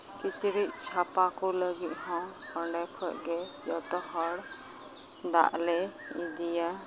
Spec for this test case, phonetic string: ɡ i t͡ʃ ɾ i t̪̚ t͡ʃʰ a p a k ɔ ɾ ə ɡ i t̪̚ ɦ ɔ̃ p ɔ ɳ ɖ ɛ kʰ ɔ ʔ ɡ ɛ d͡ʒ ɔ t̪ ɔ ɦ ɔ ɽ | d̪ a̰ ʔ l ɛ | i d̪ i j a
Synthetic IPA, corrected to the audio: k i t͡ʃ ɾ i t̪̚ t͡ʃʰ a p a k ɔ l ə ɡ i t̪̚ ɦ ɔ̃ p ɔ ɳ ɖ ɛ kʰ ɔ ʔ ɡ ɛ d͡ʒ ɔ t̪ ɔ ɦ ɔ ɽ | d̪ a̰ ʔ l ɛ | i d̪ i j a